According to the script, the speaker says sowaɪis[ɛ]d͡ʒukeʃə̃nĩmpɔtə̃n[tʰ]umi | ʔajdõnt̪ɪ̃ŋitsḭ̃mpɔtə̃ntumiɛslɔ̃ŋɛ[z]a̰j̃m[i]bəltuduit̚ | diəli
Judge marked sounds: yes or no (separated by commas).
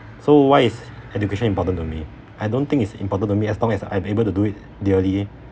yes, no, no, no